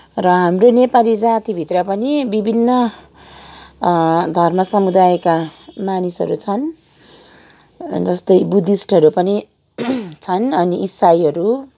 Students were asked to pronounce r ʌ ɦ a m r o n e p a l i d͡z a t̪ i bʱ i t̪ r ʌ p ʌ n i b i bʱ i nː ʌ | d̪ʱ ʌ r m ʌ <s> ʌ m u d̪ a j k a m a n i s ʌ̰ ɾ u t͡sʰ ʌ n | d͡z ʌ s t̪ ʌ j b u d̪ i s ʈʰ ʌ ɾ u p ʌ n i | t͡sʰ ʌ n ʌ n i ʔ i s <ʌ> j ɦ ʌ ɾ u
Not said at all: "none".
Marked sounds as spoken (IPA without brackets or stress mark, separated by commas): s, a